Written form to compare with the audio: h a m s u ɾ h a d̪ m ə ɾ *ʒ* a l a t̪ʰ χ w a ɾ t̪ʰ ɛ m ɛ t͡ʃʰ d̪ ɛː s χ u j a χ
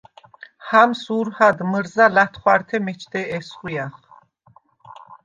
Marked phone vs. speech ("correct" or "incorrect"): incorrect